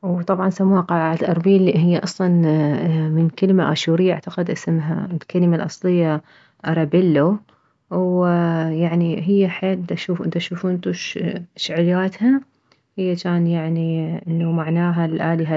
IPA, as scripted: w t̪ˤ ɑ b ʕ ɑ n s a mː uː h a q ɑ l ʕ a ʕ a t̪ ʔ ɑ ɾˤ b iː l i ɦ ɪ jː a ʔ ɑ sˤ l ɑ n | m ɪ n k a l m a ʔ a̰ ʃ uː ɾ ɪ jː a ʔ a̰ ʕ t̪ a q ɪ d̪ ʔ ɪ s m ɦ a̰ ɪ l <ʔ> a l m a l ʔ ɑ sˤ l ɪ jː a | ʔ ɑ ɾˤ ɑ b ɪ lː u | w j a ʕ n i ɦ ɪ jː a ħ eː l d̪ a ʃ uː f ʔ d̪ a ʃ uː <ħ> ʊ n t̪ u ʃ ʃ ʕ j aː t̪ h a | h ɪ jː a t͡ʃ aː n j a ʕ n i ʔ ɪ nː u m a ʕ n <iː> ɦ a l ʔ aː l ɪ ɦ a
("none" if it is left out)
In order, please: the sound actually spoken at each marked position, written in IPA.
k, f, aː

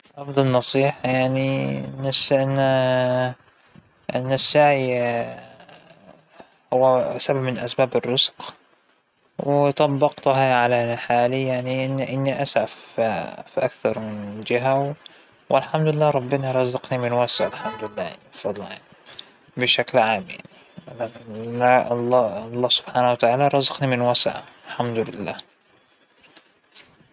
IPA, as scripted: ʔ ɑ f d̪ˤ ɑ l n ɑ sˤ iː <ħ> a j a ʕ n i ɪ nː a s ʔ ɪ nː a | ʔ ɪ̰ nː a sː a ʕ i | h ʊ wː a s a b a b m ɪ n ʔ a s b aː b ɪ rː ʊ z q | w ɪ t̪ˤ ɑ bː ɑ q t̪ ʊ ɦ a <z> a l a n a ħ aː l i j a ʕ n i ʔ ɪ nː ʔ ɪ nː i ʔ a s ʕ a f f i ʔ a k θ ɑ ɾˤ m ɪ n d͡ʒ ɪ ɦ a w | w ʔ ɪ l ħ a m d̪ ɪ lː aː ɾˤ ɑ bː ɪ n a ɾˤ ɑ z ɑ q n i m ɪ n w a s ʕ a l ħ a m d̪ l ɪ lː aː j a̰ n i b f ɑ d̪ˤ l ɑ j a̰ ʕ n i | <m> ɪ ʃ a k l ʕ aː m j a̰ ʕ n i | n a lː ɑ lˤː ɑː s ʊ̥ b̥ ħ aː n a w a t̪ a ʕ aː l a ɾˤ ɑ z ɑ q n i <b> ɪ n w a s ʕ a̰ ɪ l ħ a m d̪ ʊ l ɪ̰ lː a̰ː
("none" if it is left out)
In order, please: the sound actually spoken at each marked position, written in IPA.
ħ, ʕ, b, m

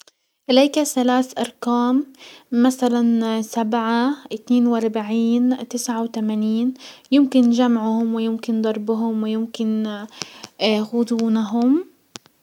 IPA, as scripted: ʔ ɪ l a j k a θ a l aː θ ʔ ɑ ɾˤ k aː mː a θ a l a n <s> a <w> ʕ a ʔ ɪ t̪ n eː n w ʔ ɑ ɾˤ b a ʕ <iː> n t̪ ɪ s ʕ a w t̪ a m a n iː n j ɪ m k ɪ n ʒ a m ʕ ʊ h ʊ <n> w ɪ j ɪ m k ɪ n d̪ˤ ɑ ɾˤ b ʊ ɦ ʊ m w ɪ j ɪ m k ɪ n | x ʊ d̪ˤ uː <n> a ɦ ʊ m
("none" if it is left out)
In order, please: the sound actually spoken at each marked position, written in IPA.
s, b, iː, m, n

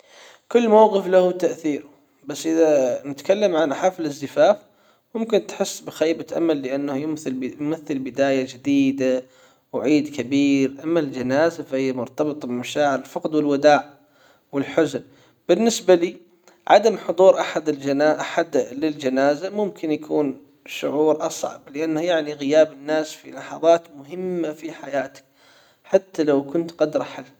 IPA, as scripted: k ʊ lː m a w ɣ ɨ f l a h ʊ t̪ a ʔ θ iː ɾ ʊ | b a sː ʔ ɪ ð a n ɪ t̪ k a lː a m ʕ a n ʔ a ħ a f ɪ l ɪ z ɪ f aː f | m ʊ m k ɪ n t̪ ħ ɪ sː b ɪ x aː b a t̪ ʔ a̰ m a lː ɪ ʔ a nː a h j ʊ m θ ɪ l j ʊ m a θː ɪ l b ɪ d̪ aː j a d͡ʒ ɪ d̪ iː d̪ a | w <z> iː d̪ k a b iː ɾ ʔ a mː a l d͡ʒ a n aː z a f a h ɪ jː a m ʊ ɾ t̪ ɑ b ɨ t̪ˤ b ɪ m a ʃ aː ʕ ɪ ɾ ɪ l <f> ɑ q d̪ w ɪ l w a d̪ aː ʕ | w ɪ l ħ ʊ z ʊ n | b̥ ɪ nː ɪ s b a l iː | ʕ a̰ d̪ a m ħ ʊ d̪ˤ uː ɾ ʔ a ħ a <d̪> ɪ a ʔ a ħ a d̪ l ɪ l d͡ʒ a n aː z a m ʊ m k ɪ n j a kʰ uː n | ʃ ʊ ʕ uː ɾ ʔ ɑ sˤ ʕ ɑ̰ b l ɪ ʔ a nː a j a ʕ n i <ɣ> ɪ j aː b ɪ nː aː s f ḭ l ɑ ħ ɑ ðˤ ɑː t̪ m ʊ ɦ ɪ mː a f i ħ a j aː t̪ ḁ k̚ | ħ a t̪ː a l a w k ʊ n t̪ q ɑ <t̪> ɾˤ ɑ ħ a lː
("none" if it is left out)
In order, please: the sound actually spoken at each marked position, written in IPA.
ʕ, f, d̪, ɣ, d̪

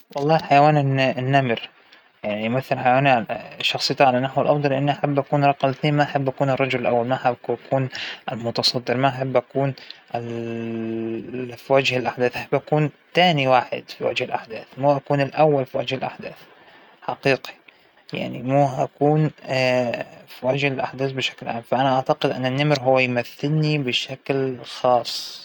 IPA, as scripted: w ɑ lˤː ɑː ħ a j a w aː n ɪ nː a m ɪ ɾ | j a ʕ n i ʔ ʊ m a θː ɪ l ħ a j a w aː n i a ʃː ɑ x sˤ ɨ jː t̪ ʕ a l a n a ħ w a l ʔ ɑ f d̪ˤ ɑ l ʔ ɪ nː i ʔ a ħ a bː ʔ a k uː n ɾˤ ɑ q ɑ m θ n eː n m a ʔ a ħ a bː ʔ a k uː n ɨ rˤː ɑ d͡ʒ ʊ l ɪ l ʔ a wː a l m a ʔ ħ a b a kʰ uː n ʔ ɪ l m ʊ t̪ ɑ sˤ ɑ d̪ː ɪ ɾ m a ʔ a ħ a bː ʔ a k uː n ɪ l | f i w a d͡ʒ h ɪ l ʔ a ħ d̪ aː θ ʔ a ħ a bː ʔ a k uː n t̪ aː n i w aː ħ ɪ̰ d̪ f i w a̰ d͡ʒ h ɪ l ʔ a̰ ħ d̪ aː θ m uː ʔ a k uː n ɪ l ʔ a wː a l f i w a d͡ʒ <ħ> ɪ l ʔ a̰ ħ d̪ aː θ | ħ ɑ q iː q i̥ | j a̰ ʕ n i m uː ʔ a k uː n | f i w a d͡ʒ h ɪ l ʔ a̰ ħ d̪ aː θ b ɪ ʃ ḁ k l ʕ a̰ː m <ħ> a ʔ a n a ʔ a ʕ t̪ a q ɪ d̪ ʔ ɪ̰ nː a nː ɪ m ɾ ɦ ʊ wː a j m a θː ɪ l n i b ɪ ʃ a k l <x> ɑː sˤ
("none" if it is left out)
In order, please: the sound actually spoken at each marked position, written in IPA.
h, f, x

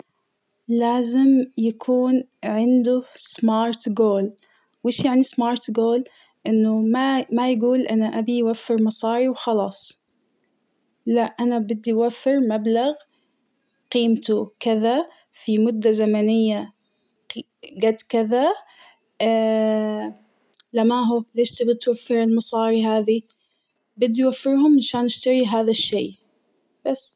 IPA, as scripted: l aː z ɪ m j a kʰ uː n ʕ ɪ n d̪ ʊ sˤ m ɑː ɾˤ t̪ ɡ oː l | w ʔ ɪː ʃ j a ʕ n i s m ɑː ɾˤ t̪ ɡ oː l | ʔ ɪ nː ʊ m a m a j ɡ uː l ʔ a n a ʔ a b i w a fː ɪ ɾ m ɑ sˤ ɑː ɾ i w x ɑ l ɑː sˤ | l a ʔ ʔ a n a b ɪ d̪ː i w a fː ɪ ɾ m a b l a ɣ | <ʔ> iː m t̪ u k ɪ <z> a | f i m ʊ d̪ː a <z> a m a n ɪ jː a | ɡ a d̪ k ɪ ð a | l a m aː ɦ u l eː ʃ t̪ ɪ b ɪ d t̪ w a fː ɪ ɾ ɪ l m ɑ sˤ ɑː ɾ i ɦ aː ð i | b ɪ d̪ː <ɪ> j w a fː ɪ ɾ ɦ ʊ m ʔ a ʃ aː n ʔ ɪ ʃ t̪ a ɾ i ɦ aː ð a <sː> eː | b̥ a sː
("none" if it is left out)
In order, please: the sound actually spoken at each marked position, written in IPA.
q, ð, z, i, ʃː

